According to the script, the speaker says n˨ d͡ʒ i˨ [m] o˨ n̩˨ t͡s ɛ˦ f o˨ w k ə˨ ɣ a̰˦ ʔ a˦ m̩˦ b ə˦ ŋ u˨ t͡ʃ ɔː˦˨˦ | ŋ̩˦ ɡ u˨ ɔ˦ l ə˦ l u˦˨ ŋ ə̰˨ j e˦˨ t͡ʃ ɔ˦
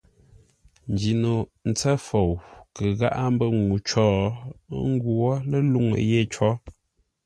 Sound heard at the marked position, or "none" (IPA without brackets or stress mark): n